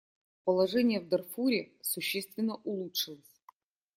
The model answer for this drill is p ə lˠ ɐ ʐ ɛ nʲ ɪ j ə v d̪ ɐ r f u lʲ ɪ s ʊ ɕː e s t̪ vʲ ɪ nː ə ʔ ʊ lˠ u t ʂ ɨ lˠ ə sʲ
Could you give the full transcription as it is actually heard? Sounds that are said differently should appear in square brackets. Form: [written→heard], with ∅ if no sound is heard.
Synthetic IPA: p ə lˠ ɐ ʐ ɛ nʲ ɪ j ə v d̪ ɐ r f u [lʲ→ɾʲ] ɪ s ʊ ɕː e s t̪ vʲ ɪ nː ə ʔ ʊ lˠ u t ʂ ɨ lˠ ə sʲ